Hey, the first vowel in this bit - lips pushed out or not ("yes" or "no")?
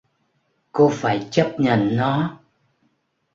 yes